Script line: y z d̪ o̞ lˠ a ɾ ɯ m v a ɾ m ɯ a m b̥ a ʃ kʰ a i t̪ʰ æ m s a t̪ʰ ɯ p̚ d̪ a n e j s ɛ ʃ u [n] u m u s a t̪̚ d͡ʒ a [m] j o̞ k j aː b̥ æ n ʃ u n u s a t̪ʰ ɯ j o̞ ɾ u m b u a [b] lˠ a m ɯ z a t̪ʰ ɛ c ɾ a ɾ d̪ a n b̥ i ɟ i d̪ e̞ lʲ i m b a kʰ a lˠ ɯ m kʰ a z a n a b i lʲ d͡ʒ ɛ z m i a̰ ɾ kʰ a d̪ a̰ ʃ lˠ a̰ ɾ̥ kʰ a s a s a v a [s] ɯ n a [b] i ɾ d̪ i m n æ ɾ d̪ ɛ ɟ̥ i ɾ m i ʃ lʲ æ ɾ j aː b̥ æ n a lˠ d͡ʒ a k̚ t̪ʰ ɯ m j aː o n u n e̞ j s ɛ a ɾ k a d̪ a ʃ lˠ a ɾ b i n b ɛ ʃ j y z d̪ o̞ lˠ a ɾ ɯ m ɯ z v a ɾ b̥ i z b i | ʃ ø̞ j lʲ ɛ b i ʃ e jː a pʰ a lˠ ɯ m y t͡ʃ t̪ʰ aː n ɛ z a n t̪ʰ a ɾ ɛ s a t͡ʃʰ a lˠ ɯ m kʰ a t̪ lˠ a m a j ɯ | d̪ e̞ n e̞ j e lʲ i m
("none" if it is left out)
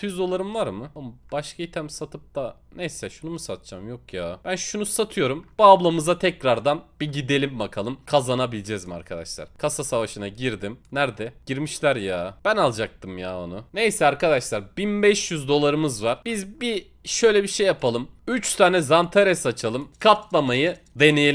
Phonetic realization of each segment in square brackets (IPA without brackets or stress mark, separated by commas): n, m, b, ʃ, ɟ